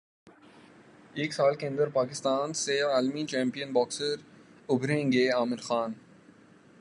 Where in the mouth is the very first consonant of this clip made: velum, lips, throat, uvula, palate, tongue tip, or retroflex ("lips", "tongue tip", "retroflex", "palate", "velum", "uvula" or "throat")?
velum